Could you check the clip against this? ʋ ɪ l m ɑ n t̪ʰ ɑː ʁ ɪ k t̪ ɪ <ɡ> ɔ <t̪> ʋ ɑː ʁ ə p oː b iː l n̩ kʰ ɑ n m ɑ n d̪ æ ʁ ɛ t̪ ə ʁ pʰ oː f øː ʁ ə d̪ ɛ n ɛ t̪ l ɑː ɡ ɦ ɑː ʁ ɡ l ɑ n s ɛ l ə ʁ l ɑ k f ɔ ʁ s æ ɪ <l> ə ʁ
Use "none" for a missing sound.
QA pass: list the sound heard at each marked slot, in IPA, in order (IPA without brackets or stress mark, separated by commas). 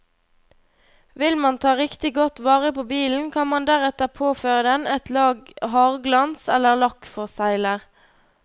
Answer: ɡ, t̪, l